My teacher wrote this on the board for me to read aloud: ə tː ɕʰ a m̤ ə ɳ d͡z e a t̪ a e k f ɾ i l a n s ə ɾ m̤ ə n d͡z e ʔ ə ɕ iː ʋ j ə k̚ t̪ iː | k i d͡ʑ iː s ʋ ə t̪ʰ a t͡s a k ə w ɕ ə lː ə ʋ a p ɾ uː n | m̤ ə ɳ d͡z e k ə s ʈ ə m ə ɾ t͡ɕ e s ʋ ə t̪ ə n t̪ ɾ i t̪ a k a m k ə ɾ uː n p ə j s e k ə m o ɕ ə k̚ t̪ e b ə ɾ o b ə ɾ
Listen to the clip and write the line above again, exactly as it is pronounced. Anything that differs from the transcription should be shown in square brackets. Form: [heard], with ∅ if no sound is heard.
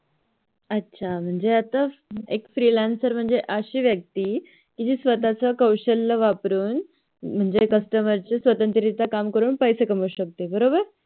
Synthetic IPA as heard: ə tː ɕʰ a m̤ ə ɳ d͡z e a t̪ a e k f ɾ i l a n s ə ɾ m̤ ə [ɳ] d͡z e ʔ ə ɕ iː ʋ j ə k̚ t̪ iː | k i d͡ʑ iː s ʋ ə [t̪] a t͡s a k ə w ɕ ə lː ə ʋ a p ɾ uː n | m̤ ə ɳ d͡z e k ə s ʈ ə m ə ɾ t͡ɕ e s ʋ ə t̪ ə n t̪ ɾ i t̪ a k a m k ə ɾ uː n p ə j s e k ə m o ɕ ə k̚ t̪ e b ə ɾ o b ə ɾ